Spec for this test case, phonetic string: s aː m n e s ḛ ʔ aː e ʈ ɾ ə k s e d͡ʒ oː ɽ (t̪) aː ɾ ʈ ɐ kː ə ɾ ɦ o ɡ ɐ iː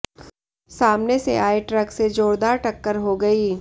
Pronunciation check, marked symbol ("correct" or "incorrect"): incorrect